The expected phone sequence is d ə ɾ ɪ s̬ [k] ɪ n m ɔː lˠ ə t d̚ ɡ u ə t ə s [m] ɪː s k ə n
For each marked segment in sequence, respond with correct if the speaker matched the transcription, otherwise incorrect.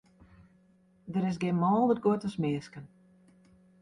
incorrect: ɡ, correct

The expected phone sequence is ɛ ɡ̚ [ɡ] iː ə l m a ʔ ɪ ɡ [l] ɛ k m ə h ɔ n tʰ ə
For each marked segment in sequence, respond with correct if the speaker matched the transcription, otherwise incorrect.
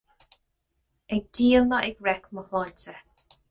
incorrect: d, incorrect: ɹ

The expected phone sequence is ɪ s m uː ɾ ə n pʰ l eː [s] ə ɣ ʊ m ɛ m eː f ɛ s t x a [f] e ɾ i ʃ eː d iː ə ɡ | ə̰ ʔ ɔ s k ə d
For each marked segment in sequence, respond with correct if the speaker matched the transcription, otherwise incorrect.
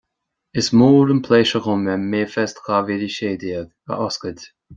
incorrect: ʃ, incorrect: v

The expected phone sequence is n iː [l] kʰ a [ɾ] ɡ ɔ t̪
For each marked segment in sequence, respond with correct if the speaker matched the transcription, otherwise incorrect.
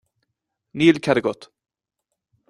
correct, correct

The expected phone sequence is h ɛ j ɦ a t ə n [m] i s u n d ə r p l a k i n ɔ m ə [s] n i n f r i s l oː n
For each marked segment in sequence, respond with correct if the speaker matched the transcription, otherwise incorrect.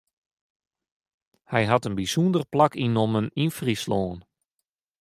incorrect: b, incorrect: none

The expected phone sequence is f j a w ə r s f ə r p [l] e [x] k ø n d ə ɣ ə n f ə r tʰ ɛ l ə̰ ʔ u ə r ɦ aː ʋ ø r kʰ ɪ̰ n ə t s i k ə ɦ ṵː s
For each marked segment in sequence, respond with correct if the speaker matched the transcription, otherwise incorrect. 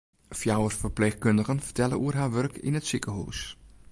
correct, correct

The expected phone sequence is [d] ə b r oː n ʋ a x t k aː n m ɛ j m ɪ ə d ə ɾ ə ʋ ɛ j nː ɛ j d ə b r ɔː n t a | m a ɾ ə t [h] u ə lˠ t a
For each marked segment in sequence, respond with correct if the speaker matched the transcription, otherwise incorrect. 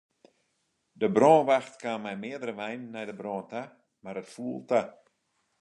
correct, incorrect: f

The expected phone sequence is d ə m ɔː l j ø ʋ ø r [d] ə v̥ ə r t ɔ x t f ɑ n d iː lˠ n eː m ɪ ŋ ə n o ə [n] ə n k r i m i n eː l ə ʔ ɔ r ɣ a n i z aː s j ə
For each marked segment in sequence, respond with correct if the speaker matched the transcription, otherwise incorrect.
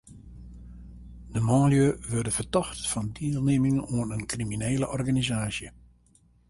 correct, correct

